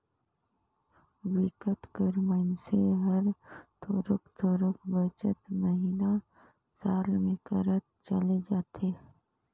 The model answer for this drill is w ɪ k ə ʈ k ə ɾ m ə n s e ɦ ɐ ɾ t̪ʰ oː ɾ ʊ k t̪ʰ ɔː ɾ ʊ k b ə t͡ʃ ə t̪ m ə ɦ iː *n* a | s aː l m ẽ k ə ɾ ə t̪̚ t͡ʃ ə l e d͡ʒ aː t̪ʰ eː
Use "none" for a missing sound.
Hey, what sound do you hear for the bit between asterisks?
n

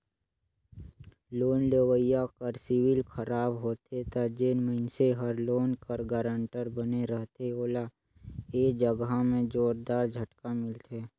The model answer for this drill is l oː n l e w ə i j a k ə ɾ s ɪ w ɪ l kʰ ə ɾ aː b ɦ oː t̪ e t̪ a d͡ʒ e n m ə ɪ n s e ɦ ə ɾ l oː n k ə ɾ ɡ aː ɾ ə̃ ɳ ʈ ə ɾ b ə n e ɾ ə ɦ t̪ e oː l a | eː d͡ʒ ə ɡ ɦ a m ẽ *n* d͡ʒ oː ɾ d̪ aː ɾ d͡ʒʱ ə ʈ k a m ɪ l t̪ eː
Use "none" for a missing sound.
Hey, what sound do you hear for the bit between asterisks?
none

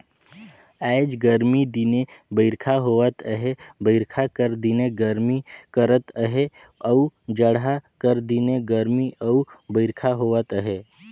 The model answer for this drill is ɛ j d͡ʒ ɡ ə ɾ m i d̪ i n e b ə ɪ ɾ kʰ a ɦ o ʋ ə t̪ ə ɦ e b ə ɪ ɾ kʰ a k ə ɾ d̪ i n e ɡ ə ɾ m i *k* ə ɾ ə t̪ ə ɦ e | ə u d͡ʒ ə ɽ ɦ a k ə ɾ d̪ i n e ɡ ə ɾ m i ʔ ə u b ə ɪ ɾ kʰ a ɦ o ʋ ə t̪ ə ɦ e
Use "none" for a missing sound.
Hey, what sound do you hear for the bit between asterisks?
k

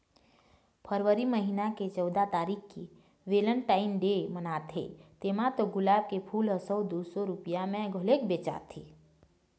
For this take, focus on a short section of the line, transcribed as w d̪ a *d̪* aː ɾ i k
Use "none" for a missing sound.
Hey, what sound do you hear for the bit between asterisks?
t̪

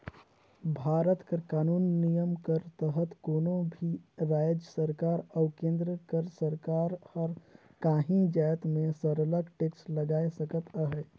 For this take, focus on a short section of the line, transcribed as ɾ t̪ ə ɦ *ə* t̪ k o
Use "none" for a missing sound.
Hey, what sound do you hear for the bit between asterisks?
ə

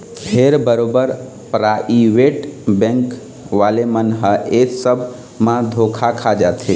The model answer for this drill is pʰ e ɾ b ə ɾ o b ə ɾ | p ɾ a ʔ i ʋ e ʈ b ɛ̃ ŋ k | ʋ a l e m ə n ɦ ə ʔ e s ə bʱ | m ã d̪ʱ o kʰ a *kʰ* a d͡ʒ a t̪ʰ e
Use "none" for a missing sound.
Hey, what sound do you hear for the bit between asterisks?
kʰ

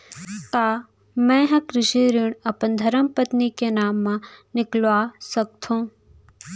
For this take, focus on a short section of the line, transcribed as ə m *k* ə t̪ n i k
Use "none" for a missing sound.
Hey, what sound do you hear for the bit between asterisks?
p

